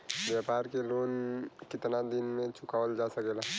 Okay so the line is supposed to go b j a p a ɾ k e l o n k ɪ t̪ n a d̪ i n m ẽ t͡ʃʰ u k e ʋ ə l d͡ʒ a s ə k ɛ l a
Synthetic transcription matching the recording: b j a p a ɾ k e l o n k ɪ t̪ n a d̪ i n m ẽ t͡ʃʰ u k a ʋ ə l d͡ʒ a s ə k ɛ l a